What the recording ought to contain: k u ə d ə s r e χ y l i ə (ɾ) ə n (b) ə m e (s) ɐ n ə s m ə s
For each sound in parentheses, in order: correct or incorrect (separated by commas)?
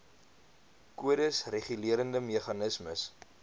correct, incorrect, incorrect